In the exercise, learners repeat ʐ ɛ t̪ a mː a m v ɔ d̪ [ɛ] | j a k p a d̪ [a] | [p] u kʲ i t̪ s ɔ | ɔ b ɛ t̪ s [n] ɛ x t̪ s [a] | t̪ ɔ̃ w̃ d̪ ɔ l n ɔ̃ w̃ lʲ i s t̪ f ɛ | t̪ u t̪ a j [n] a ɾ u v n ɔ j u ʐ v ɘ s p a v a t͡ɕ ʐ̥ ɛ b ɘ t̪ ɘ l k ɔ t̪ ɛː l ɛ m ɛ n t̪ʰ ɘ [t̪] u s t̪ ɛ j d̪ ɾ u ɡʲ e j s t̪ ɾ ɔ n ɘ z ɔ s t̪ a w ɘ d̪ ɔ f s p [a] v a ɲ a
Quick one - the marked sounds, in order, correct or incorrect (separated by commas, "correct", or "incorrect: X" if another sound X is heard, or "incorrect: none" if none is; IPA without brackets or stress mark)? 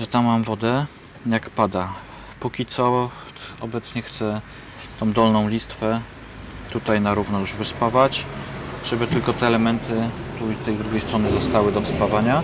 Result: correct, correct, correct, incorrect: ɲ, incorrect: ɛ, correct, correct, correct